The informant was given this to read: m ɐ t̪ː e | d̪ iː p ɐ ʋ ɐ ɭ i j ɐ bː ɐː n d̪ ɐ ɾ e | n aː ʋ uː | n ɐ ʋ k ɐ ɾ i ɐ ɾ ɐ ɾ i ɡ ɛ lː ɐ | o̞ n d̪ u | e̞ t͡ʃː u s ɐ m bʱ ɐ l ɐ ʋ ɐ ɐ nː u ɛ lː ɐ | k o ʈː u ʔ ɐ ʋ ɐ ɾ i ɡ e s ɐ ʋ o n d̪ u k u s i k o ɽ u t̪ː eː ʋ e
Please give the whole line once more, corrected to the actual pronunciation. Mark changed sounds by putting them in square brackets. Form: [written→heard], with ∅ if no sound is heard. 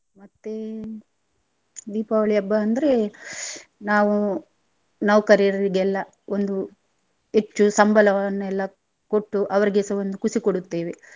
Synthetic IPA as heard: m ɐ t̪ː e | d̪ iː p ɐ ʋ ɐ ɭ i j ɐ bː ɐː n d̪ ɐ ɾ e | n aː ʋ [uː→u] | n ɐ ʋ k ɐ ɾ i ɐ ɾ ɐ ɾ i ɡ ɛ lː ɐ | o̞ n d̪ u | e̞ t͡ʃː u s ɐ m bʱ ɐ l ɐ ʋ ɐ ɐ nː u ɛ lː ɐ | k o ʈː u ʔ ɐ ʋ ɐ ɾ i ɡ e s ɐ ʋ o n d̪ u k u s i k o ɽ u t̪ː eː ʋ e